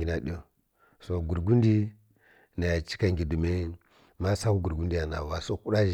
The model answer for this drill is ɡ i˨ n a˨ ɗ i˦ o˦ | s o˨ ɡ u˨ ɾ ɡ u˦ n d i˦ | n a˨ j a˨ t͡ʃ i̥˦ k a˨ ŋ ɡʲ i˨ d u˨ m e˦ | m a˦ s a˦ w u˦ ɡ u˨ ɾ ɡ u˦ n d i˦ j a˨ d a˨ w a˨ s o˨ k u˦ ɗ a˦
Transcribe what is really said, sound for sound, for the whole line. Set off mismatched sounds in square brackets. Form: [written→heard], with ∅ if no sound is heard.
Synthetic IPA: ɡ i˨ n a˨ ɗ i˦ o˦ | s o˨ ɡ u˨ ɾ ɡ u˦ n d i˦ | n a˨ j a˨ t͡ʃ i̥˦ k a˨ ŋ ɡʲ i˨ d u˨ m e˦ | m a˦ s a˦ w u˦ ɡ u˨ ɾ ɡ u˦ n d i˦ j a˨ [d→n] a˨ w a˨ s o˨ k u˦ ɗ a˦